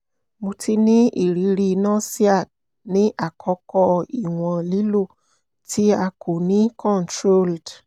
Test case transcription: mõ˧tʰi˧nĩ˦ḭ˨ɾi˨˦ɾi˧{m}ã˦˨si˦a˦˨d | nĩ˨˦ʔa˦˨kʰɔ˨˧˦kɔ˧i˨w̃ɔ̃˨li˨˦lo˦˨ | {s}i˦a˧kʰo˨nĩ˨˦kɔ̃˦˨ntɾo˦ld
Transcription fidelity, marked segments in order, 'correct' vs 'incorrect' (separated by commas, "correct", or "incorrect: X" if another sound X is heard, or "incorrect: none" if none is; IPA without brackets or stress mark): incorrect: n, incorrect: t